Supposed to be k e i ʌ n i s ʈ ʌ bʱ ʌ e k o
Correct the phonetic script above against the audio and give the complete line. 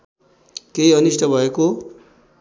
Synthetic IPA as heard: k e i ʌ n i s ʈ ʌ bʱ ʌ e k o